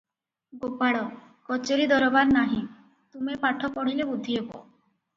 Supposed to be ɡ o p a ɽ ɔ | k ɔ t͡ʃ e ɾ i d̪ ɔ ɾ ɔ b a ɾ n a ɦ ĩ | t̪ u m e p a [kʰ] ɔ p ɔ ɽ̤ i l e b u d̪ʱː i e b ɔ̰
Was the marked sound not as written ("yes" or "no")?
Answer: yes